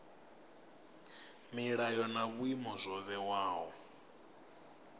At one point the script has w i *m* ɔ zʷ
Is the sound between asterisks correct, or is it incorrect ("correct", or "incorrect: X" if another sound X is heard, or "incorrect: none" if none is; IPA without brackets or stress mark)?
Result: correct